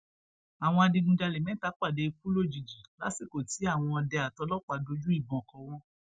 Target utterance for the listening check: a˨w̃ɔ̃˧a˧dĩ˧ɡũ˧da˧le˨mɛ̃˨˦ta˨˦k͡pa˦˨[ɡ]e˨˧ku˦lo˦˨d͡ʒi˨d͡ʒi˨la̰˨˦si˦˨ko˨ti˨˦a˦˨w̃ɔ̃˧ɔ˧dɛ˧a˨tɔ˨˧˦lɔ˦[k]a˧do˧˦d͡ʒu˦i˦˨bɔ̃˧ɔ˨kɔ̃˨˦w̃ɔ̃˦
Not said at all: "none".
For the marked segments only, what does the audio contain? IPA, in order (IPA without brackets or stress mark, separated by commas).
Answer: d, k͡p